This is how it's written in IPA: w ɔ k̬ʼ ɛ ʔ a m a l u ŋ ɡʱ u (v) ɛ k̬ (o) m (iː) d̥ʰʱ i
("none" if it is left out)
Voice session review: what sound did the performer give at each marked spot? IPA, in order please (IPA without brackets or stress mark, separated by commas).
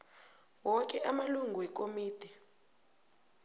w, o, iː